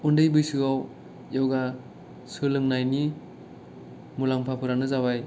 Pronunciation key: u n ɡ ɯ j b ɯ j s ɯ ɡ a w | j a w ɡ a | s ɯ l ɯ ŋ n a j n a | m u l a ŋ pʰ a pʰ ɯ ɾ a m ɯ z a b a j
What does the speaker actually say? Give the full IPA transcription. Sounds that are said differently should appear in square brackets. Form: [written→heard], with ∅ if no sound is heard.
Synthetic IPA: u n [ɡ→d] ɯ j b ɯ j s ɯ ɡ a w | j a w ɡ a | s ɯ l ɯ ŋ n a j n [a→i] | m u l a ŋ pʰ a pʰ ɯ ɾ a [m→n] ɯ z a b a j